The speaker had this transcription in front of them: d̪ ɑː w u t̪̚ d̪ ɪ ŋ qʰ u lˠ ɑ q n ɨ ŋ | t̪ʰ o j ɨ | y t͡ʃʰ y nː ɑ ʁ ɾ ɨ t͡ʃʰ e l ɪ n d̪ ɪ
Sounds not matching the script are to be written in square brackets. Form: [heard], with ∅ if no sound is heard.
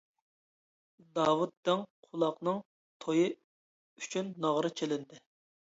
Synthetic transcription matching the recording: d̪ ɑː w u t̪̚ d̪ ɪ ŋ qʰ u lˠ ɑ q n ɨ ŋ | t̪ʰ o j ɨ | y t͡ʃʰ y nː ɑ ʁ ɾ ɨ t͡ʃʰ e l ɪ n d̪ ɪ